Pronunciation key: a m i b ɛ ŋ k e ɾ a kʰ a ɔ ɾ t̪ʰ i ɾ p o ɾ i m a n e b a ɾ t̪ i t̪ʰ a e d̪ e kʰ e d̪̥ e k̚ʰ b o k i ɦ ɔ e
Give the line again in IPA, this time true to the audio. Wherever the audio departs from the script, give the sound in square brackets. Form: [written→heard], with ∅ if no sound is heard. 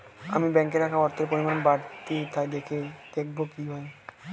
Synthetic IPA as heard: a m i b ɛ ŋ k e ɾ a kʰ a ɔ ɾ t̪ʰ [i→e] ɾ p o ɾ i m a n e b a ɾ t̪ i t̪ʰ a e d̪ e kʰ e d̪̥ e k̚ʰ b o k i ɦ ɔ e